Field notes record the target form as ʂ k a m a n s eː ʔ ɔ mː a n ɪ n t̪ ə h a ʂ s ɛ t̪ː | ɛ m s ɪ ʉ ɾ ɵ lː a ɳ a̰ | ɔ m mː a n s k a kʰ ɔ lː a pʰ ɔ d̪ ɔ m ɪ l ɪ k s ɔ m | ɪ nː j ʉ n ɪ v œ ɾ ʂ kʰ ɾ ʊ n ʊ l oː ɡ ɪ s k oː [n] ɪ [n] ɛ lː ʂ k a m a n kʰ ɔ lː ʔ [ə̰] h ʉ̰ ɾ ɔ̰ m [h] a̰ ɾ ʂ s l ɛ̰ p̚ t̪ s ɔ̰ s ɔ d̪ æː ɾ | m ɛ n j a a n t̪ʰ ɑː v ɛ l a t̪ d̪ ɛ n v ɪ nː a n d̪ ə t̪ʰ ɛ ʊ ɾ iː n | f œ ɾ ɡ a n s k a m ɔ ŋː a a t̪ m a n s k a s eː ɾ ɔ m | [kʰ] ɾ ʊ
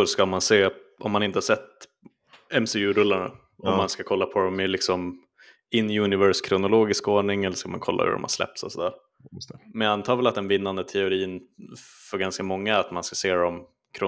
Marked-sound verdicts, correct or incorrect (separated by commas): incorrect, incorrect, incorrect, correct, correct